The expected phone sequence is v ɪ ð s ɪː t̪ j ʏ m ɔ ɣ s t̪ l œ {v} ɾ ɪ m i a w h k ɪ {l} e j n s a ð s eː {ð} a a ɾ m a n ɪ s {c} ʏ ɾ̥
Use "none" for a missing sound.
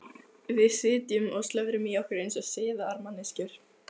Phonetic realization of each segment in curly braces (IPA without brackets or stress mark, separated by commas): v, ɾ, ð, c